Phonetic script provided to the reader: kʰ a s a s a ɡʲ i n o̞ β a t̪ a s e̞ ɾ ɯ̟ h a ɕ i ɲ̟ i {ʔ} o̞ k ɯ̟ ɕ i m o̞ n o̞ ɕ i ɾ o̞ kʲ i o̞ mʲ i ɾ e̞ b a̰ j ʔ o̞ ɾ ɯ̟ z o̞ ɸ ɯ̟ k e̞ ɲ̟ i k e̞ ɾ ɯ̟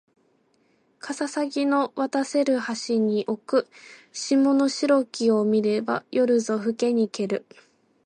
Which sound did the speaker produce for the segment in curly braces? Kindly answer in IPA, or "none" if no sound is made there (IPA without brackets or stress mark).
ʔ